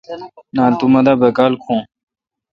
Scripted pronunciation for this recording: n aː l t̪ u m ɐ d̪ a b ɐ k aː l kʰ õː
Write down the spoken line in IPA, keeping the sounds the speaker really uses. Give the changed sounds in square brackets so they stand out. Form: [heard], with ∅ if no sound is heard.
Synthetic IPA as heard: n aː l t̪ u m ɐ d̪ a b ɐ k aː l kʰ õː